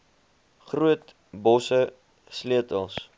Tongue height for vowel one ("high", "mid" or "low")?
high